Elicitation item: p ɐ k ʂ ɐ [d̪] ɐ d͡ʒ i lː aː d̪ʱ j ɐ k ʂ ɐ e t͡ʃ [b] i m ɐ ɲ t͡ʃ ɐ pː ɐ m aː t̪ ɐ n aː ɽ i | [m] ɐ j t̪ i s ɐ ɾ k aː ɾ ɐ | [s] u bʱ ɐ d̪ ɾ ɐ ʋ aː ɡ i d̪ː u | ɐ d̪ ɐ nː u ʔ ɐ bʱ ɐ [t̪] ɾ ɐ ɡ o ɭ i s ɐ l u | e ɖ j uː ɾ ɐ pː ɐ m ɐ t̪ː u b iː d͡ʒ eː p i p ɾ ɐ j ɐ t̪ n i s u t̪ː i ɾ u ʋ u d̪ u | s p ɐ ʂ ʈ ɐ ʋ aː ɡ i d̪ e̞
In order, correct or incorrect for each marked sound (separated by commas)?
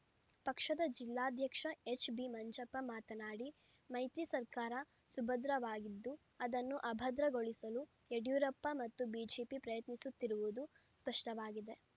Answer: correct, correct, correct, correct, incorrect